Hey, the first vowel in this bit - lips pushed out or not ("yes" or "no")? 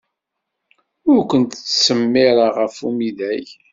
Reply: yes